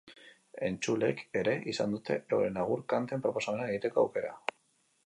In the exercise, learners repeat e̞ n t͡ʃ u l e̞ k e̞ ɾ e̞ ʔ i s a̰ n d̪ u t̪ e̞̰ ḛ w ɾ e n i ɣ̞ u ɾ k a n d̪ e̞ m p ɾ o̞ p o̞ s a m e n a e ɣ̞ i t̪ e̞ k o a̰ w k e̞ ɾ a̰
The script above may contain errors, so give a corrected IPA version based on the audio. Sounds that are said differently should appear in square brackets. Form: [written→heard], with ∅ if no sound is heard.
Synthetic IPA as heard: e̞ n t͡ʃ u l e̞ k e̞ ɾ e̞ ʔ i s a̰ n d̪ u t̪ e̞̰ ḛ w ɾ e n [i→a] ɣ̞ u ɾ k a n [d̪→t̪] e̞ m p ɾ o̞ p o̞ s a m e n a e ɣ̞ i t̪ e̞ k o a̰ w k e̞ ɾ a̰